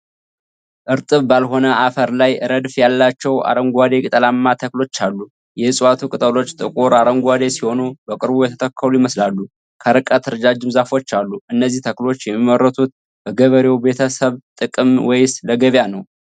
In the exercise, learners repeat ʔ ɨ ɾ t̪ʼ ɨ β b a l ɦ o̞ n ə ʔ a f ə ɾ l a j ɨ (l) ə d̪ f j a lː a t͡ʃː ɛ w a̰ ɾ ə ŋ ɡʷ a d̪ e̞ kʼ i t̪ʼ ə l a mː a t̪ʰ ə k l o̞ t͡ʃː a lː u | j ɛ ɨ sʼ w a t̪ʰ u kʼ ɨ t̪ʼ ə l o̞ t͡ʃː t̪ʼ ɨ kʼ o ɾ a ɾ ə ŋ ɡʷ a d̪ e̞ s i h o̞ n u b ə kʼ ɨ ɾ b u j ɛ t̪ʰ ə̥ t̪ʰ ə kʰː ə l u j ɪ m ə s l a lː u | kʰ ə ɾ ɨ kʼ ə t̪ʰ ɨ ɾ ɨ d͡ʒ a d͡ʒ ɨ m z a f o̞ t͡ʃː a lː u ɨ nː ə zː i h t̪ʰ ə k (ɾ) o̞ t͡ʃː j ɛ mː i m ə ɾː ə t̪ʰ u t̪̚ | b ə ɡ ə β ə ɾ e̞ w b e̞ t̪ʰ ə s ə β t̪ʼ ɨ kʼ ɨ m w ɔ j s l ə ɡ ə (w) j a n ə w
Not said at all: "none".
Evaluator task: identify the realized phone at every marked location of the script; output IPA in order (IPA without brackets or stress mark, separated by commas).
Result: ɾ, l, β